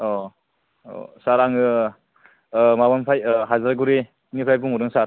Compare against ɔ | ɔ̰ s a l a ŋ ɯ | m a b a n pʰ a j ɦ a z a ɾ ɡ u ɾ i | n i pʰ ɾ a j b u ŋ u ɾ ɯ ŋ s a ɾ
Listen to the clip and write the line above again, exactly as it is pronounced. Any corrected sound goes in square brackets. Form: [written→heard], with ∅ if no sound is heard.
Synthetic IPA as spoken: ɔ | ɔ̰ s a [l→ɾ] a ŋ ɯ | m a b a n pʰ a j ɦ a z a ɾ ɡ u ɾ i | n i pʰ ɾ a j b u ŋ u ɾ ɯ ŋ s a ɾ